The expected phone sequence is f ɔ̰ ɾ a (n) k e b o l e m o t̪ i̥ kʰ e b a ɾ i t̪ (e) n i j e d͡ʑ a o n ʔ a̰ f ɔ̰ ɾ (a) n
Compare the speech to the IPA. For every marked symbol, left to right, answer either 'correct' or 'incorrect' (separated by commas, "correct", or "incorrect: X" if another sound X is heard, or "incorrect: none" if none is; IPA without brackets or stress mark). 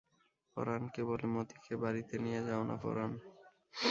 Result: correct, correct, correct